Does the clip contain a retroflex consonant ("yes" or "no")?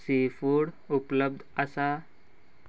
yes